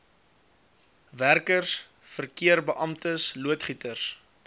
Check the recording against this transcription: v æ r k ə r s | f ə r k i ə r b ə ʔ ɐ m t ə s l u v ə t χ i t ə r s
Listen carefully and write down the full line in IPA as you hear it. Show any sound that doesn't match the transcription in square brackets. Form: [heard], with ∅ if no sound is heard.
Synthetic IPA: v æ r k ə r s | f ə r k i ə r b ə ʔ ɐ m t ə s l u [∅] ə t χ i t ə r s